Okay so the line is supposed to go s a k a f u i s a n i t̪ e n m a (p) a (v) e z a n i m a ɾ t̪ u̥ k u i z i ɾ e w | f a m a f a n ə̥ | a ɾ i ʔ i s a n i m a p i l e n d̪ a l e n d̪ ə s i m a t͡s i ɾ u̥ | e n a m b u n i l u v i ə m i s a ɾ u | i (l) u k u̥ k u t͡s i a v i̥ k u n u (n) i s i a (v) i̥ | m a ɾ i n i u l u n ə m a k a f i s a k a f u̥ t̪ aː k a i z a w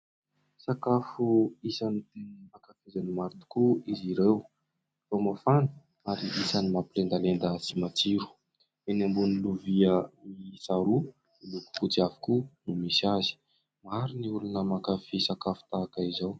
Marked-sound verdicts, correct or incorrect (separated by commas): incorrect, incorrect, correct, incorrect, incorrect